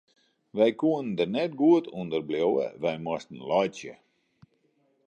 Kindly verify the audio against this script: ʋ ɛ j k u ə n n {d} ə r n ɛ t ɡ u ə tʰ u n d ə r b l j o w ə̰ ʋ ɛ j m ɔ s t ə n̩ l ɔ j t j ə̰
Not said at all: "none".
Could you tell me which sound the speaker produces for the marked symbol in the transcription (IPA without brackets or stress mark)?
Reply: d